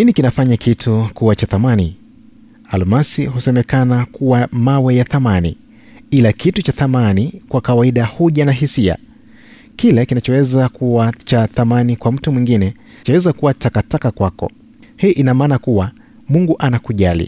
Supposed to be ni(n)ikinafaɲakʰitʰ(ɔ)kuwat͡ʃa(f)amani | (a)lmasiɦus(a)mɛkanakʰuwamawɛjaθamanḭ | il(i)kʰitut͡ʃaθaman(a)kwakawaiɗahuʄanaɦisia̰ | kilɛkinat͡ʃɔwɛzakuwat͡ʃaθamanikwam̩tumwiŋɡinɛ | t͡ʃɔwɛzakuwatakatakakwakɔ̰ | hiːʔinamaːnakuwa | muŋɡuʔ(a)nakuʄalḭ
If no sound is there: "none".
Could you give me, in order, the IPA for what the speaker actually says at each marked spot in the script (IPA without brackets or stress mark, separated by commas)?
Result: n, u, θ, a, ɛ, a, i, a